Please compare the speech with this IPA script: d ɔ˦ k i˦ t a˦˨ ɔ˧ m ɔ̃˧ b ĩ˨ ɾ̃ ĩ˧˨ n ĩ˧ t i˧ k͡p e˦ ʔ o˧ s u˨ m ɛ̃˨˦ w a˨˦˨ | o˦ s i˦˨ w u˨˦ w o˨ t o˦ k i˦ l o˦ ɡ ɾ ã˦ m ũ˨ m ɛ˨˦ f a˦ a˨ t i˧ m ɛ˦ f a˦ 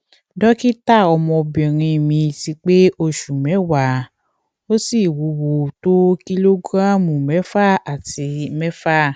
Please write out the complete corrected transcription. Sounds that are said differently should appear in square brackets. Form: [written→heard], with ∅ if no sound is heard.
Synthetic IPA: d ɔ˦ k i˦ t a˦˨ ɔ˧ m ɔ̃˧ b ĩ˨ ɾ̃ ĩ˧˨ [n→m] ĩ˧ t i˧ k͡p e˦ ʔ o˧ [s→ʃ] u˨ m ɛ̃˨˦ w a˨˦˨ | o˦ s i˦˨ w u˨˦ w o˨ t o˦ k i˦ l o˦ ɡ ɾ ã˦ m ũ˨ m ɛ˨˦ f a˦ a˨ t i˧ m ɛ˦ f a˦